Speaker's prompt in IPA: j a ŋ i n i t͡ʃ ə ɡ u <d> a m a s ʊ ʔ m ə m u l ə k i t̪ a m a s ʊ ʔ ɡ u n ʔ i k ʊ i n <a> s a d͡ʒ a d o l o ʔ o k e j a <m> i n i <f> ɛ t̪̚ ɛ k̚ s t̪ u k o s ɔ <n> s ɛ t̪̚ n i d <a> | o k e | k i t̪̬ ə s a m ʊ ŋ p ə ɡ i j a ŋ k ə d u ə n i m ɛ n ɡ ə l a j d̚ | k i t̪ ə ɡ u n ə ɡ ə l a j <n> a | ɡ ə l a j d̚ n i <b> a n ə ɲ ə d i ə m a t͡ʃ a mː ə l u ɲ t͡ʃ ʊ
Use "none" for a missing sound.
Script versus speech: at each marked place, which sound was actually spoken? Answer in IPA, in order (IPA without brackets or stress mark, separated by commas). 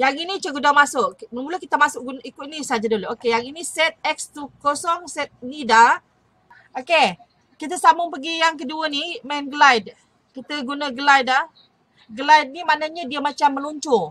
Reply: d, i, ŋ, s, ŋ, a, d, m